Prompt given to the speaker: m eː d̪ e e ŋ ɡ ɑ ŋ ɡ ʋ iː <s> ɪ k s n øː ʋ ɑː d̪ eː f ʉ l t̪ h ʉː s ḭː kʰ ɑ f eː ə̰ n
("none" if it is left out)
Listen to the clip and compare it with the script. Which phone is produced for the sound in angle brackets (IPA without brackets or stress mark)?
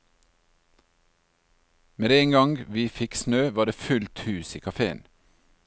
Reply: f